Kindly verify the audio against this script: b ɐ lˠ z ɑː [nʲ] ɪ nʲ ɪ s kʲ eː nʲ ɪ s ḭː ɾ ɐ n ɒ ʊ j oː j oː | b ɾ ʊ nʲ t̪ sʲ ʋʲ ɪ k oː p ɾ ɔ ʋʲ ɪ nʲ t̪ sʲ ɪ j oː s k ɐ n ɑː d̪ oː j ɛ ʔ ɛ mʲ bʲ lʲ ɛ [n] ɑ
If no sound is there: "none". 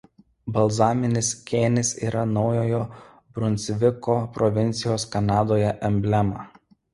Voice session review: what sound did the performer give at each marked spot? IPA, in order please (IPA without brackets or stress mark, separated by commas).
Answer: mʲ, m